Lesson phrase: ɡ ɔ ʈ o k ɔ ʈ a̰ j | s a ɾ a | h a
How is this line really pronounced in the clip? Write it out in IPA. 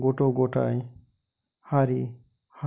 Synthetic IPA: ɡ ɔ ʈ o ɡ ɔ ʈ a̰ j | h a ɾ i | h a